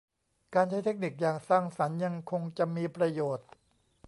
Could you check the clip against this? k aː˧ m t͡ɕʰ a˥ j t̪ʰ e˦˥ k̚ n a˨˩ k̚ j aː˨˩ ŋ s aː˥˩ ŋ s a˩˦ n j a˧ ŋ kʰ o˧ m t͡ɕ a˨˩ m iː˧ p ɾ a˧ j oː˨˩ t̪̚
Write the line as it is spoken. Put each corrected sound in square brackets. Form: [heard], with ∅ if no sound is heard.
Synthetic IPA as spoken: k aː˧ [n] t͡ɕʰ a˥ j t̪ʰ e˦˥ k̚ n [i˨˩] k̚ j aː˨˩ ŋ s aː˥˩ ŋ s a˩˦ n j a˧ ŋ kʰ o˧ [ŋ] t͡ɕ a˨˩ m iː˧ p ɾ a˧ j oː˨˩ t̪̚